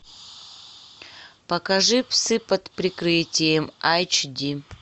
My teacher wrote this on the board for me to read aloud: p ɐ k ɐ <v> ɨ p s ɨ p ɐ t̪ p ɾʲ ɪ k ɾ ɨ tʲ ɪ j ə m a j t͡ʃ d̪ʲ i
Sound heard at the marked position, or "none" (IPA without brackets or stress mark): ʐ